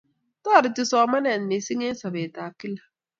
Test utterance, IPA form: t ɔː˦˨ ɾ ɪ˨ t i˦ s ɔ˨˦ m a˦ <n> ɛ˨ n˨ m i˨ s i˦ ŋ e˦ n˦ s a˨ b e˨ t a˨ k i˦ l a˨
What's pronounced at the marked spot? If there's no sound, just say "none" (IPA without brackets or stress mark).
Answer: n